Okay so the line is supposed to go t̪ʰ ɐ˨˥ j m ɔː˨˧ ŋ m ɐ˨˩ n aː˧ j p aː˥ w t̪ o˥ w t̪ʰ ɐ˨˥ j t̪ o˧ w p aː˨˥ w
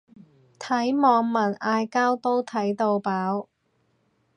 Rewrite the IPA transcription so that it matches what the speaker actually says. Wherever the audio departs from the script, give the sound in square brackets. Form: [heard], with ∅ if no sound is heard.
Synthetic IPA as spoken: t̪ʰ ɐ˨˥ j m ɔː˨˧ ŋ m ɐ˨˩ n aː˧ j [k] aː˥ w t̪ o˥ w t̪ʰ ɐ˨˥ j t̪ o˧ w p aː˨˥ w